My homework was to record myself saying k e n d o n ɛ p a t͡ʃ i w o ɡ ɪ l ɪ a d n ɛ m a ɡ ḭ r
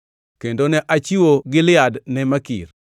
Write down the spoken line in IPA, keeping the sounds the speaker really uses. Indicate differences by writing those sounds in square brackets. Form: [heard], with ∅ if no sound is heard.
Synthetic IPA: k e n d o n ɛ [ʔ] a t͡ʃ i w o ɡ ɪ l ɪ a d n ɛ m a [k] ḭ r